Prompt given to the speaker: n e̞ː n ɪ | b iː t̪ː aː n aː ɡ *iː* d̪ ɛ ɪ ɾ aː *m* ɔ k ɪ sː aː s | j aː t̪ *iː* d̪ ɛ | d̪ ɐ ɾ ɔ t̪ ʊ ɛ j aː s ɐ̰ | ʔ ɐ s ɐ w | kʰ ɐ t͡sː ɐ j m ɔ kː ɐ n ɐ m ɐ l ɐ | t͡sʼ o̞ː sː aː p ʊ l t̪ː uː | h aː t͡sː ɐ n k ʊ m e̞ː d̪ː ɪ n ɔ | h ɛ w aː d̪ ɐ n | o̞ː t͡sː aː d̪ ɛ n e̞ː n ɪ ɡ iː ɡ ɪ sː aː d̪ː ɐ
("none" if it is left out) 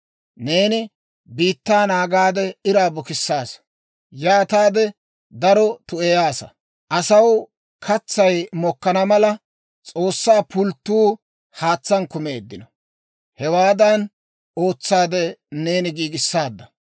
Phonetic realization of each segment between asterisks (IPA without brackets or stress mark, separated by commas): aː, b, aː